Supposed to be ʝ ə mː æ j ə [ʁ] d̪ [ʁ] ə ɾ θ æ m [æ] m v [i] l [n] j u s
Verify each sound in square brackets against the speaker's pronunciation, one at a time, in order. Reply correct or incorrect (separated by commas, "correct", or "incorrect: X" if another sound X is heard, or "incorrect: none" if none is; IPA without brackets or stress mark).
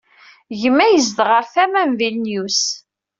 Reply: incorrect: z, correct, correct, correct, correct